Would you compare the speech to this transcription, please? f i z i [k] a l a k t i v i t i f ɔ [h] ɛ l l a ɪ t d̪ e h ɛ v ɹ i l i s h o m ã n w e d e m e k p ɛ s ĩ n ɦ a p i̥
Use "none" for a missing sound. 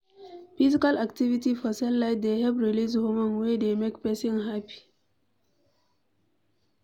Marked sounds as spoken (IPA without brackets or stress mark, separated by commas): k, s